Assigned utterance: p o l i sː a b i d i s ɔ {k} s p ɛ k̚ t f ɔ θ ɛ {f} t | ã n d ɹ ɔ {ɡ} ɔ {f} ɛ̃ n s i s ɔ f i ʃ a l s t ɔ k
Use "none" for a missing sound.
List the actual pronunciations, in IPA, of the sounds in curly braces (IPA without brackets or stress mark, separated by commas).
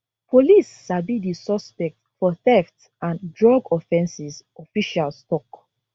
none, f, ɡ, f